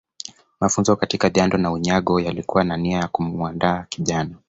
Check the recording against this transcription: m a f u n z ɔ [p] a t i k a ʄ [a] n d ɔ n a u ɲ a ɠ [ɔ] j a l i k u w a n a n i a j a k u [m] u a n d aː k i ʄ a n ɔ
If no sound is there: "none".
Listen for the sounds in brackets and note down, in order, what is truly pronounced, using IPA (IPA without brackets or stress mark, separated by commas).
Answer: k, a, ɔ, m